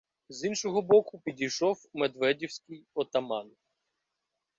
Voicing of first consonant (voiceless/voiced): voiced